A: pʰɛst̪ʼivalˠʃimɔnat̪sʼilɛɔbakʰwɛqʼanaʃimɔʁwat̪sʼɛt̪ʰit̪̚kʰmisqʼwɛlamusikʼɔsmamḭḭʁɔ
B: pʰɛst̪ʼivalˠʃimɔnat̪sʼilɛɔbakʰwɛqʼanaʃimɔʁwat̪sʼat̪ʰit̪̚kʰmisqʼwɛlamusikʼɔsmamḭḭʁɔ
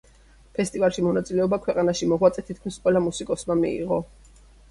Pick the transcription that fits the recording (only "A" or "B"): A